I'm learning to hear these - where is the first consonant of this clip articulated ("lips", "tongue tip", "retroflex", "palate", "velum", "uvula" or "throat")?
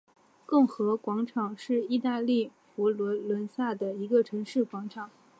velum